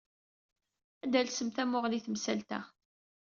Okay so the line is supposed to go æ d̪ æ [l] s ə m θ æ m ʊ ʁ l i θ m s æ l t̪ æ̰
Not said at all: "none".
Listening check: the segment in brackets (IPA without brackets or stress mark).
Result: l